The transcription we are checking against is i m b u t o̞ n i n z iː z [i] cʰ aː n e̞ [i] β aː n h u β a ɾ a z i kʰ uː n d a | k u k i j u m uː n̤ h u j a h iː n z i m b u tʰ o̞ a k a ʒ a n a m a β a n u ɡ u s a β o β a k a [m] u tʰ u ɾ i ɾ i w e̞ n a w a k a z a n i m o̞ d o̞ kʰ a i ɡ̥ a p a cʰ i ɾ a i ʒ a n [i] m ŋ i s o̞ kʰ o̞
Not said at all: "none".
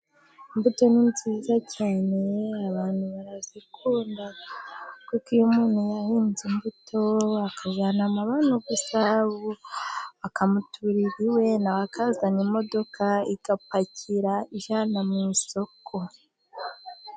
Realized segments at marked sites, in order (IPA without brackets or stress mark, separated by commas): a, a, m, a